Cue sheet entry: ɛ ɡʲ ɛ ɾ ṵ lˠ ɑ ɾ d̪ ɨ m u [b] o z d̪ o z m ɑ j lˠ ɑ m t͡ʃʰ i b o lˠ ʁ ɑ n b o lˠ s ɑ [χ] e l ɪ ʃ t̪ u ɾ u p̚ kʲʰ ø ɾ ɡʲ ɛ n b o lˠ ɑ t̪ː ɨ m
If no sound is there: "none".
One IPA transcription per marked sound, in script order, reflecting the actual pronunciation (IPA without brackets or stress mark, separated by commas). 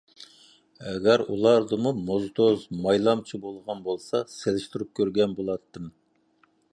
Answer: m, s